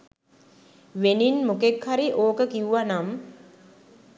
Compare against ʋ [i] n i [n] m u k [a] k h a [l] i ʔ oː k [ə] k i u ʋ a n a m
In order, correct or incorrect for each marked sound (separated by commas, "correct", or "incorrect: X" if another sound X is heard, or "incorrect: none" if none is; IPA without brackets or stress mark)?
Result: incorrect: e, correct, incorrect: e, incorrect: ɾ, correct